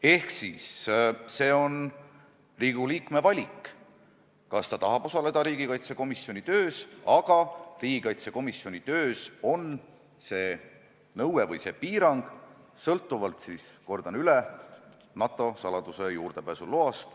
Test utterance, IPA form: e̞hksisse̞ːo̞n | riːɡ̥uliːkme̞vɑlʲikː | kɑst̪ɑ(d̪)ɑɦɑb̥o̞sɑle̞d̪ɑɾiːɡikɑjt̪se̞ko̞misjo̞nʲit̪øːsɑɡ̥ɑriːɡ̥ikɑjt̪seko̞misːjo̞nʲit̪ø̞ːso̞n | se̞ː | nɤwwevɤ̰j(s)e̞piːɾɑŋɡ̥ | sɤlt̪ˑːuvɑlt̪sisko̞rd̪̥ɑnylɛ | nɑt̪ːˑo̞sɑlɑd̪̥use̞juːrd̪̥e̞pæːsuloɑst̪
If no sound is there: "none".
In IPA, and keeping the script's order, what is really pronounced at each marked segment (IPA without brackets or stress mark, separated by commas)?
t̪, s